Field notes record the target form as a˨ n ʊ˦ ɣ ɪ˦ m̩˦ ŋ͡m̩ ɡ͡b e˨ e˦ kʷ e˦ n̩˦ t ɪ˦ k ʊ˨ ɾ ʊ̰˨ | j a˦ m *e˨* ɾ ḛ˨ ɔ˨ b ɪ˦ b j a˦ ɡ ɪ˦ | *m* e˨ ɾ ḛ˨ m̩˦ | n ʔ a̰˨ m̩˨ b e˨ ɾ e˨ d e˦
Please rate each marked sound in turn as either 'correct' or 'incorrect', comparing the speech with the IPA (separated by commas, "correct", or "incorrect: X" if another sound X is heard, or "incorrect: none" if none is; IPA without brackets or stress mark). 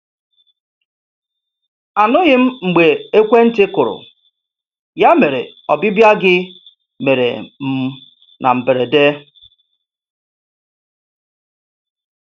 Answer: correct, correct